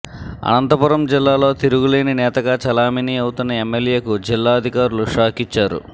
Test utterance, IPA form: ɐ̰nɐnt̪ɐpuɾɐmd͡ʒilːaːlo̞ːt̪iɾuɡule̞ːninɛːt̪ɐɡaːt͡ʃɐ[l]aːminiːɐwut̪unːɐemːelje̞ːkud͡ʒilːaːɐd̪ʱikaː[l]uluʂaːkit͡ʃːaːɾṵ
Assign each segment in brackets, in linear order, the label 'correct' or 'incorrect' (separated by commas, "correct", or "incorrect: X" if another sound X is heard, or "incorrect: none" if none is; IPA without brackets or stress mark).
correct, incorrect: ɾ